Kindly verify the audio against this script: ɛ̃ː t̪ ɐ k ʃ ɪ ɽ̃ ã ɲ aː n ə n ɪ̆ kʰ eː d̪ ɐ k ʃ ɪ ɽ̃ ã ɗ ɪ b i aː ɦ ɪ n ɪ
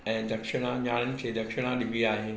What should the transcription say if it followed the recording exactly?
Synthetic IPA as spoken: ɛ̃ː d̪ ɐ k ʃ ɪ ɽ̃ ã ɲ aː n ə n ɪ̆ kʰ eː d̪ ɐ k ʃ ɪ ɽ̃ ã ɗ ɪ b i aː ɦ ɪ n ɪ